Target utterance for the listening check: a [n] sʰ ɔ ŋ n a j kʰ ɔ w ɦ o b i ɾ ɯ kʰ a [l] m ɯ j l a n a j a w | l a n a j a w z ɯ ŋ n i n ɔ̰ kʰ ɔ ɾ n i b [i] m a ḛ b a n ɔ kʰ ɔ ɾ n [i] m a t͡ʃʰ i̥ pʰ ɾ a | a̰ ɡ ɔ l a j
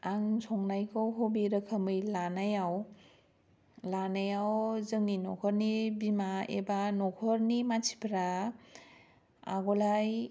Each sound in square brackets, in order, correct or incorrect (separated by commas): incorrect, incorrect, correct, correct